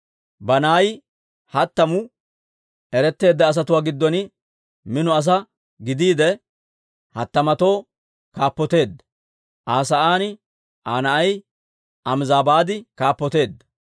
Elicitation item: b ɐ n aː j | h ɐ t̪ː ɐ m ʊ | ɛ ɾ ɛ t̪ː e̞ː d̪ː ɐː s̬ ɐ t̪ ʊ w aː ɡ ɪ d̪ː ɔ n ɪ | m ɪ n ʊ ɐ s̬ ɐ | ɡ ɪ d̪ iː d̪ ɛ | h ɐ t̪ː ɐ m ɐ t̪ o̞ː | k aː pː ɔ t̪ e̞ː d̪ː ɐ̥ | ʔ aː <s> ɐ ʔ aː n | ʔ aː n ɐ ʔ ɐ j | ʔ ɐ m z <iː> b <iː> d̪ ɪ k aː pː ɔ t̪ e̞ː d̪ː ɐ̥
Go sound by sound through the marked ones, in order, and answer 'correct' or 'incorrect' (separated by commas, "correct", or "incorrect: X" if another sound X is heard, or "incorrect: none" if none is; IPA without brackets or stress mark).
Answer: correct, incorrect: aː, incorrect: aː